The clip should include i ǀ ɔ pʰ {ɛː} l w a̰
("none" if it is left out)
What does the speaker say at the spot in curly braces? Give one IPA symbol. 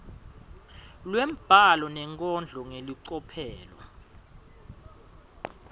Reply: ɛː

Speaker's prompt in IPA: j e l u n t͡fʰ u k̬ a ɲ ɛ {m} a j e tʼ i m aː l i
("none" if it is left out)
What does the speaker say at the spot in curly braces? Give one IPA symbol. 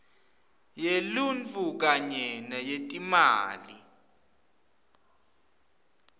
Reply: n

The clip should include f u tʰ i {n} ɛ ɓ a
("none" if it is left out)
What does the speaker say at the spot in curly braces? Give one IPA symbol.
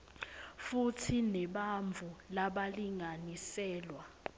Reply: n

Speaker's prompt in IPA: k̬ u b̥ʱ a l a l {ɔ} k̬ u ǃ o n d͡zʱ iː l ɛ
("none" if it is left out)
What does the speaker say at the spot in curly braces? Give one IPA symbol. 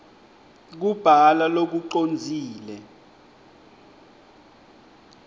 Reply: o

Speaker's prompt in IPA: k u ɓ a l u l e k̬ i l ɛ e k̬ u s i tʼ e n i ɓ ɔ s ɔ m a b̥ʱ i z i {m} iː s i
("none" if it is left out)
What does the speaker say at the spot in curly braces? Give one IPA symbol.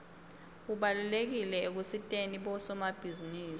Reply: n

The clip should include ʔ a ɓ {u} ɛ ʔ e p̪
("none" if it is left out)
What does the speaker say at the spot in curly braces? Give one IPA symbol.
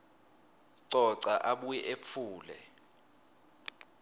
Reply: u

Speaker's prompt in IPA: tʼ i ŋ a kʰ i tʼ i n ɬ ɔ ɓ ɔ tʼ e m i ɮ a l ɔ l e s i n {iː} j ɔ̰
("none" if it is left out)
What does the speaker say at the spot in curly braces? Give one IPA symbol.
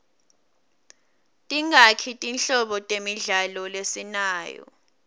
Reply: aː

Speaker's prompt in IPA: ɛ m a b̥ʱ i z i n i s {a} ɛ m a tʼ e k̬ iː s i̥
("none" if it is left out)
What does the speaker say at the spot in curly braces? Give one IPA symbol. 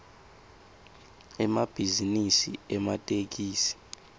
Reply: i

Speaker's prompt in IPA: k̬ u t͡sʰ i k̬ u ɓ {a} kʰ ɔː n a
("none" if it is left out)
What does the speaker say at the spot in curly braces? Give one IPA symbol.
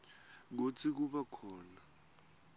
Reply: a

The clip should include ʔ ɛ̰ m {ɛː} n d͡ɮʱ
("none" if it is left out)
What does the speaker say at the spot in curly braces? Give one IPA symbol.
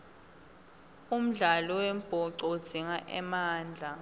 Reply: aː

